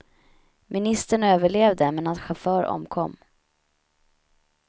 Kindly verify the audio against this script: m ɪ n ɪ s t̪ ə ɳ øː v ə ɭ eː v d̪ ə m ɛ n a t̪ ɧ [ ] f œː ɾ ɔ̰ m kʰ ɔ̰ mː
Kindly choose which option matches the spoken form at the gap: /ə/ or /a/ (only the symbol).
a